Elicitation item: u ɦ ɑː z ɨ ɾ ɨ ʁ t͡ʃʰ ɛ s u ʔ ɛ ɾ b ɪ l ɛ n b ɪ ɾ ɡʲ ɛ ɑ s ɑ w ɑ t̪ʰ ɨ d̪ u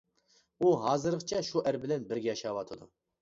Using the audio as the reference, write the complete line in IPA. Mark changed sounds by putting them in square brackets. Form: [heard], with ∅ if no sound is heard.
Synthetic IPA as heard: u ɦ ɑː z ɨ ɾ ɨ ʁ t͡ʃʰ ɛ [ʃ] u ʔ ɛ ɾ b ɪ l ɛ n b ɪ ɾ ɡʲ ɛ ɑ [ʃ] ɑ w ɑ t̪ʰ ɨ d̪ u